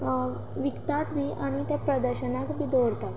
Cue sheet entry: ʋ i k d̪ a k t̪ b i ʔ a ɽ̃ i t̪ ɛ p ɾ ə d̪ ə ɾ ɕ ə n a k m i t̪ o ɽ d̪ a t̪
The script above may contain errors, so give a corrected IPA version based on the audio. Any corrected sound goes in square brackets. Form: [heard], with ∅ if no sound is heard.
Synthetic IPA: ʋ i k [t̪] a [∅] t̪ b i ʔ a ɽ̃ i t̪ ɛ p ɾ ə d̪ ə ɾ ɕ ə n a k [b] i [d̪] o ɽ [t̪] a t̪